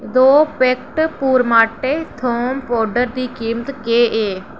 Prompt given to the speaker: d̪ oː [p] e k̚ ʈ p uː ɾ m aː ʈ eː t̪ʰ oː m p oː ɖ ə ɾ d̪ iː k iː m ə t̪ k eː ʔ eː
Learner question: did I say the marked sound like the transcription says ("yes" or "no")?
yes